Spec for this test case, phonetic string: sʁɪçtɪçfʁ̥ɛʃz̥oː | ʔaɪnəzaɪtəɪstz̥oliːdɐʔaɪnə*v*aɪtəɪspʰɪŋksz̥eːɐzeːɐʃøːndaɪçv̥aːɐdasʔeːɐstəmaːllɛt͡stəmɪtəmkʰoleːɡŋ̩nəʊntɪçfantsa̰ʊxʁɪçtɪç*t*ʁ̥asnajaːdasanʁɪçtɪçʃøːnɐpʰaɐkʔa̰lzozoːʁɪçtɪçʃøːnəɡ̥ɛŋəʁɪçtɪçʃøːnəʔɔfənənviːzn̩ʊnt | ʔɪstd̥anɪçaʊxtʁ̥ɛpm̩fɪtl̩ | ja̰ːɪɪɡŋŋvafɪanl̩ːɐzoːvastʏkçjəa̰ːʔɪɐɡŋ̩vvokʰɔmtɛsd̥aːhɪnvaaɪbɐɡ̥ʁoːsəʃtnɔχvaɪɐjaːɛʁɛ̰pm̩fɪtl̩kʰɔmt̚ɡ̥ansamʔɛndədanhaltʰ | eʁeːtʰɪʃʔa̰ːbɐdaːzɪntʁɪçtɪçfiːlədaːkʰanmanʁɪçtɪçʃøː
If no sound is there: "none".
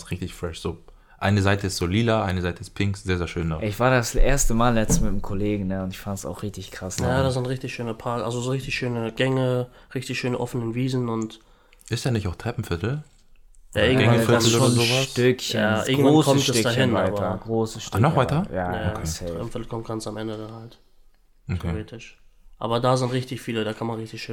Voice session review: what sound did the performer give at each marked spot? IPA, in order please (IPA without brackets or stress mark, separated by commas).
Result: z, k